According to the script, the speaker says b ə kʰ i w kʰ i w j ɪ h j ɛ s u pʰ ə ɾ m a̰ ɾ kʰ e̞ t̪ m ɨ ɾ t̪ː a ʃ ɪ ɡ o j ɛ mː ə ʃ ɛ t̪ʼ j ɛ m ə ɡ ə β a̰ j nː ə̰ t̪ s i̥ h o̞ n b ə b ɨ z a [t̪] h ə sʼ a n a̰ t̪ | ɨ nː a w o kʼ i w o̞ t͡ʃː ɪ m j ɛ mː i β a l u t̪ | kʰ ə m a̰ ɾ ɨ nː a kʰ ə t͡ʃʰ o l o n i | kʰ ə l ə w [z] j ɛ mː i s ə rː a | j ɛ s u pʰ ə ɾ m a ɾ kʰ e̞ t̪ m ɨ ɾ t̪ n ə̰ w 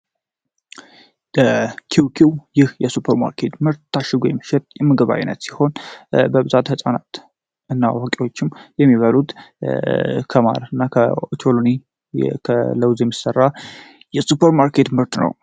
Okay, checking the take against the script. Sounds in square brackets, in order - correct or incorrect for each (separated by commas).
correct, correct